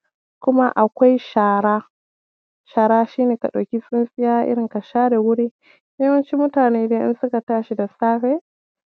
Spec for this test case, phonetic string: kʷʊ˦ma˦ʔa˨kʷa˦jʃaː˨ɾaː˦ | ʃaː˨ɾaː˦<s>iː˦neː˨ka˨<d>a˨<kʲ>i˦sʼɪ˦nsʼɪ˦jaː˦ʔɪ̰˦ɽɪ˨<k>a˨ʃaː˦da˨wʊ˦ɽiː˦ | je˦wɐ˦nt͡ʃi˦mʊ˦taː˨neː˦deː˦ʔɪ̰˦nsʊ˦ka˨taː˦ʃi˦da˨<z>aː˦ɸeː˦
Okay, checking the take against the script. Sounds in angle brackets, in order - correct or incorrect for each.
incorrect: ʃ, incorrect: ɗ, correct, correct, incorrect: s

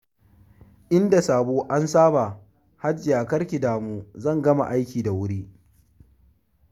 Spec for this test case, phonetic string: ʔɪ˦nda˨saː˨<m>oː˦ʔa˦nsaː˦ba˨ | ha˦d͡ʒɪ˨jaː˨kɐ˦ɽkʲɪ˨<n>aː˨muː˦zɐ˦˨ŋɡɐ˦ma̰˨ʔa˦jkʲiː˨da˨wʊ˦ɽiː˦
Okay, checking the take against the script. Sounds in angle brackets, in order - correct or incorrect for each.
incorrect: b, incorrect: d

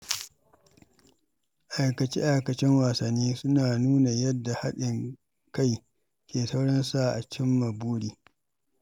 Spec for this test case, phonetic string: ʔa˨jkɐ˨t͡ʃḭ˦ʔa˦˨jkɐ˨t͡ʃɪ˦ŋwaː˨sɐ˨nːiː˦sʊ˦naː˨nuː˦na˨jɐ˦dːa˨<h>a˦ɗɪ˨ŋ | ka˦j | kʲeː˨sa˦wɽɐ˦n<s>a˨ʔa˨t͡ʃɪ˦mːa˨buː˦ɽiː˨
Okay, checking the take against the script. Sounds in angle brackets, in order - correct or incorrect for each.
correct, correct

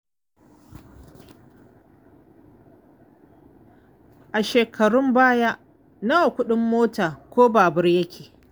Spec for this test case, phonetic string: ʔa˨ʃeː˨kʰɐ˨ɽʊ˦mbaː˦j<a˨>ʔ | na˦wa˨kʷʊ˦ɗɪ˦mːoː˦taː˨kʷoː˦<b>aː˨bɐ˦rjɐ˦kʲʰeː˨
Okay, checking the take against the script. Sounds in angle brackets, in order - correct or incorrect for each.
incorrect: a˦, correct

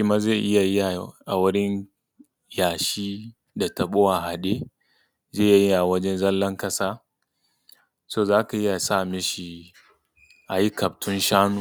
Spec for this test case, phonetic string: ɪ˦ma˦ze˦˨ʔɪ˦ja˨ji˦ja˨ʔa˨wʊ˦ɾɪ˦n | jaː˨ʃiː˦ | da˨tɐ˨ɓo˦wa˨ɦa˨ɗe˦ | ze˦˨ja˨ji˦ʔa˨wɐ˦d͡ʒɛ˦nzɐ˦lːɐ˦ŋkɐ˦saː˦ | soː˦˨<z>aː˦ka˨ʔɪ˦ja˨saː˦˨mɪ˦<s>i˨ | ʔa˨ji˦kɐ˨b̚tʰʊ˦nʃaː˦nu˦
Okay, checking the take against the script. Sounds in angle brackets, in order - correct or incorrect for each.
correct, incorrect: ʃ

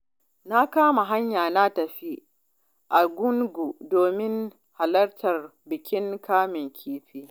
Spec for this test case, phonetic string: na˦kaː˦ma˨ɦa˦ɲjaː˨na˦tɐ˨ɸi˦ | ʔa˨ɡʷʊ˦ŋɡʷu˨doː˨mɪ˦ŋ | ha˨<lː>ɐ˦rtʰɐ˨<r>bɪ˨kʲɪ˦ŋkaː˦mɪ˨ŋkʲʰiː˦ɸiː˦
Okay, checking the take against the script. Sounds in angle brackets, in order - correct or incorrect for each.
incorrect: l, correct

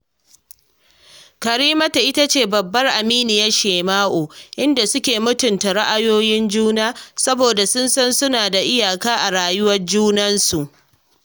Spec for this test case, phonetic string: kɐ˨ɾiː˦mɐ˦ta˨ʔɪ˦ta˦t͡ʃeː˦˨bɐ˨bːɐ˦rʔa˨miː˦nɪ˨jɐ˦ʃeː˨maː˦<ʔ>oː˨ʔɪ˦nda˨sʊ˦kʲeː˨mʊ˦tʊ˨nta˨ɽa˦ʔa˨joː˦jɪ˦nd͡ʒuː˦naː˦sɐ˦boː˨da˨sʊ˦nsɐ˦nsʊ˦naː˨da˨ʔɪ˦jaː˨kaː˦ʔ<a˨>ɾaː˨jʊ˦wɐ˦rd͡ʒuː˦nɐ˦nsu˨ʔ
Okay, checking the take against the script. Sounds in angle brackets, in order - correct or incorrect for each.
correct, correct

